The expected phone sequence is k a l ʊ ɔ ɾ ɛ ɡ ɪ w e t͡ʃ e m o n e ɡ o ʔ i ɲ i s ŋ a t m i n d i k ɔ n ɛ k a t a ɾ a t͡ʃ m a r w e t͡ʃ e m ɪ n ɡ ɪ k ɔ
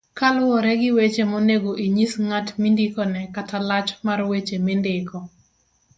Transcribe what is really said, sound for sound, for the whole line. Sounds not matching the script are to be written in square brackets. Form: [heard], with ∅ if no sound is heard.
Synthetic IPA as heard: k a l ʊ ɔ ɾ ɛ ɡ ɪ w e t͡ʃ e m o n e ɡ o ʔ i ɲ i s ŋ a t m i n d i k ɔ n ɛ k a t a [l] a t͡ʃ m a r w e t͡ʃ e m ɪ n [d] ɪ k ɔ